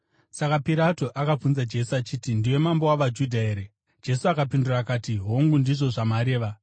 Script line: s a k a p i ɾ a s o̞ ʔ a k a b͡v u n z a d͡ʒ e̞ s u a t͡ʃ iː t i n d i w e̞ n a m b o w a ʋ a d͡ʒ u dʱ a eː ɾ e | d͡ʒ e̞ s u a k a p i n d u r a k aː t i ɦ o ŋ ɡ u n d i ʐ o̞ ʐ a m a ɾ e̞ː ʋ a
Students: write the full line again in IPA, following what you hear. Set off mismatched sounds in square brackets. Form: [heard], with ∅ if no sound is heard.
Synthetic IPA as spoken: s a k a p i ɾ a [t] o̞ ʔ a k a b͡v u n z a d͡ʒ e̞ s u a t͡ʃ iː t i n d i w e̞ [m] a m b o w a ʋ a d͡ʒ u dʱ a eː ɾ e | d͡ʒ e̞ s u a k a p i n d u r a k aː t i ɦ o ŋ ɡ u n d i ʐ o̞ ʐ a m a ɾ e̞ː ʋ a

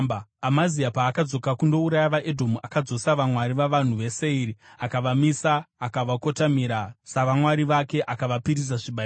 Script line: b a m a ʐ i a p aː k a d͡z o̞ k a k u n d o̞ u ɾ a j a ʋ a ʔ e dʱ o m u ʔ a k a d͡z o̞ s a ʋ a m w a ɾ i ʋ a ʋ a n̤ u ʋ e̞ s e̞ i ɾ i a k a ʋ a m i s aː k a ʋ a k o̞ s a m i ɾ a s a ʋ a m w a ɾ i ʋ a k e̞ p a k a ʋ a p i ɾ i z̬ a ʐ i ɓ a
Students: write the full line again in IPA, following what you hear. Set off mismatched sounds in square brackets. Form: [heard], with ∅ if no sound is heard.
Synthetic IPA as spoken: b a m a [z] i a p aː k a d͡z o̞ k a k u n d o̞ u ɾ a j a ʋ a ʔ e dʱ o m u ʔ a k a d͡z o̞ s a ʋ a m w a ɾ i ʋ a ʋ a n̤ u ʋ e̞ s e̞ i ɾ i a k a ʋ a m i s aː k a ʋ a k o̞ [t] a m i ɾ a s a ʋ a m w a ɾ i ʋ a k e̞ [ʔ] a k a ʋ a p i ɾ i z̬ a ʐ i ɓ a

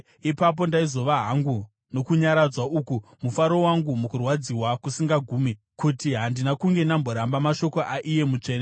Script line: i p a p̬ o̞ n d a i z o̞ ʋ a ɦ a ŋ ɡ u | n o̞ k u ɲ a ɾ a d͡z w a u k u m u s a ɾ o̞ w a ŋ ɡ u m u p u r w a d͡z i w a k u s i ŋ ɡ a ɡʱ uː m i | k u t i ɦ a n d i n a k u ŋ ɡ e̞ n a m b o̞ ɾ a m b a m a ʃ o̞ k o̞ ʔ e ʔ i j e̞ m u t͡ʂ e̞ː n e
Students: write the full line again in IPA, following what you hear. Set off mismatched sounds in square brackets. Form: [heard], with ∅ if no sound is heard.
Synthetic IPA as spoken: i p a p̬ o̞ n d a i z o̞ ʋ a ɦ a ŋ ɡ u | n o̞ k u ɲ a ɾ a d͡z w a u k u m u [f] a ɾ o̞ w a ŋ ɡ u m u [k] u r w a d͡z i w a k u s i ŋ ɡ a ɡʱ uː m i | k u t i ɦ a n d i n a k u ŋ ɡ e̞ n a m b o̞ ɾ a m b a m a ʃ o̞ k o̞ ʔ [a] ʔ i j e̞ m u t͡ʂ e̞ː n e

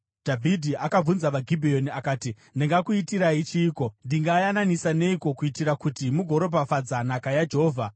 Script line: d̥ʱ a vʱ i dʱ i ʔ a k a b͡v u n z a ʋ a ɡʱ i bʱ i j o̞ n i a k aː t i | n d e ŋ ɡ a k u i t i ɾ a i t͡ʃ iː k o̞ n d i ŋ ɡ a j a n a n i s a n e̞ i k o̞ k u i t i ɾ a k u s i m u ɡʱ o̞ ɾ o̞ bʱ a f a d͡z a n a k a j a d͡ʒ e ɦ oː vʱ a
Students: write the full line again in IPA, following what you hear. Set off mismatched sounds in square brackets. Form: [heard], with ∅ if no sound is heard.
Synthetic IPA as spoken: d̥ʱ a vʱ i dʱ i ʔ a k a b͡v u n z a ʋ a ɡʱ i bʱ i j o̞ n i a k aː t i | n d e ŋ ɡ a k u i t i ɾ a i t͡ʃ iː k o̞ n d i ŋ ɡ a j a n a n i s a n e̞ i k o̞ k u i t i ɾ a k u [t] i m u ɡʱ o̞ ɾ o̞ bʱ a f a d͡z a n a k a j a d͡ʒ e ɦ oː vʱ a

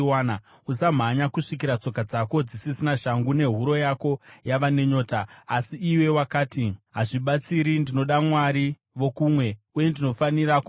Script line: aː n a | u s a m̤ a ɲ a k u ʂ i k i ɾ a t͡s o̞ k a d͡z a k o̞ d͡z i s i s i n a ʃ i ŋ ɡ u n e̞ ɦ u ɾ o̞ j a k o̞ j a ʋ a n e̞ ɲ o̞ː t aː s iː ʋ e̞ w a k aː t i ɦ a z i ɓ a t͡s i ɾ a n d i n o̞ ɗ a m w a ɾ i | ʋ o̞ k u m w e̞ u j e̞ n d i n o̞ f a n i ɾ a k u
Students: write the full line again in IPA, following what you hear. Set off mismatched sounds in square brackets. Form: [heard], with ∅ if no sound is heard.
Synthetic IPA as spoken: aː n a | u s a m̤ a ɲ a k u ʂ i k i ɾ a t͡s o̞ k a d͡z a k o̞ d͡z i s i s i n a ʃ [a] ŋ ɡ u n e̞ ɦ u ɾ o̞ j a k o̞ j a ʋ a n e̞ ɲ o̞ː t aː s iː [w] e̞ w a k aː t i ɦ a [ʐ] i ɓ a t͡s i ɾ [i] n d i n o̞ ɗ a m w a ɾ i | ʋ o̞ k u m w e̞ u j e̞ n d i n o̞ f a n i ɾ a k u

